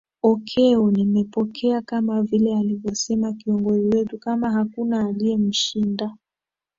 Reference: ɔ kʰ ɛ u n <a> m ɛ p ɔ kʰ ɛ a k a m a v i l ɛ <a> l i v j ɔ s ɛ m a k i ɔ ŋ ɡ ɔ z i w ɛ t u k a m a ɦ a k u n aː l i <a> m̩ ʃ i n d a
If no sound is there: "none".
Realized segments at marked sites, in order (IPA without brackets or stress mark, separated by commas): i, a, ɛ